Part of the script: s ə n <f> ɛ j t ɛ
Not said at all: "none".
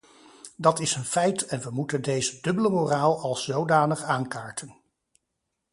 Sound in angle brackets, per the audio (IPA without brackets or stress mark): f